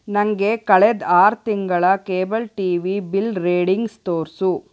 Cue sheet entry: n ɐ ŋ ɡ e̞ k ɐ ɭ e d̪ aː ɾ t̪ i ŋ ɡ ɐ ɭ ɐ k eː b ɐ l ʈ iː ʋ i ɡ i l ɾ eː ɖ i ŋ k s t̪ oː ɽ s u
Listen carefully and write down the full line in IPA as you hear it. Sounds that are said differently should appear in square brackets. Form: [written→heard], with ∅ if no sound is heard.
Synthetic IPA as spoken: n ɐ ŋ ɡ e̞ k ɐ ɭ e d̪ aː ɾ t̪ i ŋ ɡ ɐ ɭ ɐ k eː b ɐ l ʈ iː ʋ i [ɡ→b] i l ɾ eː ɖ i ŋ [k→ɡ] s t̪ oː [ɽ→ɾ] s u